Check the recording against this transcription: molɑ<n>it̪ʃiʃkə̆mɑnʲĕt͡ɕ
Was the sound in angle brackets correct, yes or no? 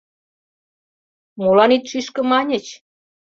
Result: yes